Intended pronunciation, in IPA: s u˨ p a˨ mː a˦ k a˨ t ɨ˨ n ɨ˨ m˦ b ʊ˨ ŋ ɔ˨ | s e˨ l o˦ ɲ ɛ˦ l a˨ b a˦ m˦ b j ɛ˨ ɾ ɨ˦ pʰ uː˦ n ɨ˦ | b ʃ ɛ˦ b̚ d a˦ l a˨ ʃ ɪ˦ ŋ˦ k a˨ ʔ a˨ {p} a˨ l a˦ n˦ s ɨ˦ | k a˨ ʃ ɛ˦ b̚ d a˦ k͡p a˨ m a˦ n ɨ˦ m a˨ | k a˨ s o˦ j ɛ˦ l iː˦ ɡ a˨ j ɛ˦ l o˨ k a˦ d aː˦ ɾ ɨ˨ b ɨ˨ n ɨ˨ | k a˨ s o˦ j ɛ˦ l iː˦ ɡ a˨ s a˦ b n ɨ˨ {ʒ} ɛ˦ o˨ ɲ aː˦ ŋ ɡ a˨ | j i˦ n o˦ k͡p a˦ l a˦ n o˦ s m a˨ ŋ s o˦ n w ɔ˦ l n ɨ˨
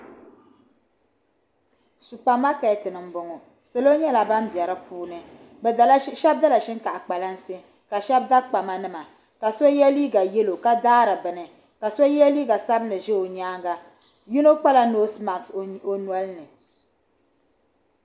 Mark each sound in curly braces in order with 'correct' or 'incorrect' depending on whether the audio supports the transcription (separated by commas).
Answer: incorrect, correct